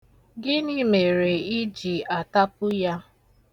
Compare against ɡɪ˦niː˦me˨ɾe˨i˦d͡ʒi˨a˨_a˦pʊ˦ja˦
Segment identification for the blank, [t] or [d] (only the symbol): t